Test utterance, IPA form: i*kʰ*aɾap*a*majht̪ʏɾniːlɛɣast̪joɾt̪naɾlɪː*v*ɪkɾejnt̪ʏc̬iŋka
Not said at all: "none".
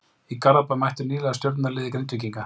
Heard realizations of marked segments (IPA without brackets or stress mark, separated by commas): k, a, ð